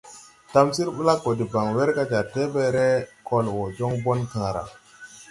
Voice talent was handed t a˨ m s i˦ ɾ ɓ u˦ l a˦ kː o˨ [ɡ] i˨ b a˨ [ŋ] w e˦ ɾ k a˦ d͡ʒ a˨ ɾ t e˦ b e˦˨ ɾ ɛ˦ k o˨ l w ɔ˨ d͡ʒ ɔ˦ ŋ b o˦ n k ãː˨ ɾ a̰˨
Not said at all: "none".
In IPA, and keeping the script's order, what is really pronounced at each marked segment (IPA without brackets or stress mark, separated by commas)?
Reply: d, ŋ